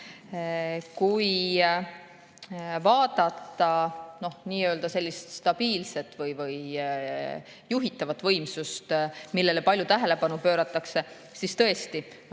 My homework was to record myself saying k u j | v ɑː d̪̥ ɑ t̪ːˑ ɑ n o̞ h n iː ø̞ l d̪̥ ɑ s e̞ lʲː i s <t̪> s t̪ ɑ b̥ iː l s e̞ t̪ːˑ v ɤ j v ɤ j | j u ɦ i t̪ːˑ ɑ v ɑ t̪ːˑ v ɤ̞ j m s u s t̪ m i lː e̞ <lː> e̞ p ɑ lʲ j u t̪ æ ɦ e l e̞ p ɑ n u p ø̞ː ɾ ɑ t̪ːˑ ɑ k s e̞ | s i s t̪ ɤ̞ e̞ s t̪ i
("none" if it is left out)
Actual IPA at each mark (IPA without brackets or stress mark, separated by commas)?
t̪, l